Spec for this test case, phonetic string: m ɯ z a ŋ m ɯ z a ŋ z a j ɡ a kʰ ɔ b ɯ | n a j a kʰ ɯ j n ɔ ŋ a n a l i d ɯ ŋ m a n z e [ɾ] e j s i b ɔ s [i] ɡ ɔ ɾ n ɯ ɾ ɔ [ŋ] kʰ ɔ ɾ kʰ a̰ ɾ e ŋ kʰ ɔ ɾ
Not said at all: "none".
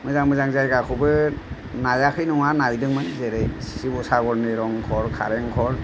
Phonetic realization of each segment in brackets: ɾ, a, ŋ

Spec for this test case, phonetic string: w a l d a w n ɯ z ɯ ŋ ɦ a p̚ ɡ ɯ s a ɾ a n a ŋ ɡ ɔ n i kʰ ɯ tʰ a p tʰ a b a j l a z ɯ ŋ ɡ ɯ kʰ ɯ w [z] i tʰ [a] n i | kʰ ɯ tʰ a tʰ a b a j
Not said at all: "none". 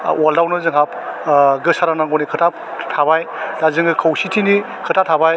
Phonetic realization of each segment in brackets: s, i

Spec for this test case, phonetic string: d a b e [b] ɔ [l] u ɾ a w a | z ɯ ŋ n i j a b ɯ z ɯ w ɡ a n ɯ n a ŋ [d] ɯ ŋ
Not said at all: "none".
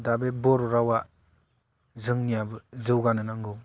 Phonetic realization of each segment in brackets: b, ɾ, ɡ

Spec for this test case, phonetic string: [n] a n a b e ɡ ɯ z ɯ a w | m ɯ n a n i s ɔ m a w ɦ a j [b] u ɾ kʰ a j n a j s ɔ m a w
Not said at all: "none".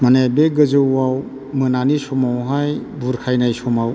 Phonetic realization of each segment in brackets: m, b

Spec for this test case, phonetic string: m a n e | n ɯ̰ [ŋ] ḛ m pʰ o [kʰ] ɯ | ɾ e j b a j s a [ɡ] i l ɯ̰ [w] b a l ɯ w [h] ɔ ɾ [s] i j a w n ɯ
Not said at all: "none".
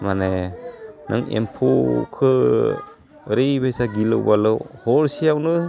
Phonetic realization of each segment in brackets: ŋ, kʰ, ɡ, w, h, s

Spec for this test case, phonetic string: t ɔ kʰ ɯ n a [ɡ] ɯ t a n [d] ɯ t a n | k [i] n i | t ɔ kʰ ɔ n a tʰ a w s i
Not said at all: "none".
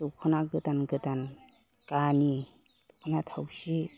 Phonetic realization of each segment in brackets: ɡ, ɡ, a

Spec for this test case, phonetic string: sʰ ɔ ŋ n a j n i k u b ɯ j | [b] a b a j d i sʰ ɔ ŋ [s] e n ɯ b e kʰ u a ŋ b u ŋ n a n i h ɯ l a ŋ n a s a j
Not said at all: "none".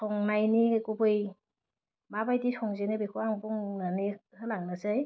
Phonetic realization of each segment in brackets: m, z

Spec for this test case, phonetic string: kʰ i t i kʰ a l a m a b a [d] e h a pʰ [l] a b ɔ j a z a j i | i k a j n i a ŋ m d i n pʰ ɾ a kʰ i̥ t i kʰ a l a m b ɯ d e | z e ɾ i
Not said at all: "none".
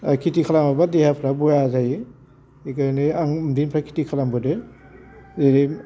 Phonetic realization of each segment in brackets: d, ɾ

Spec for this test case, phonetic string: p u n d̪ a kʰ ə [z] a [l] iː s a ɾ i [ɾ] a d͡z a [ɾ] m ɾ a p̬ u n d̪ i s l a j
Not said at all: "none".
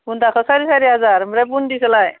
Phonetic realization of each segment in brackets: s, ɾ, none, ɾ

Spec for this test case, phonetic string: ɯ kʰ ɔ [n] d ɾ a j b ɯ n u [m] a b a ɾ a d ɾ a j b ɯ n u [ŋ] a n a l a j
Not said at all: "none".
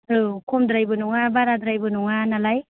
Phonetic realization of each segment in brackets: m, ŋ, ŋ

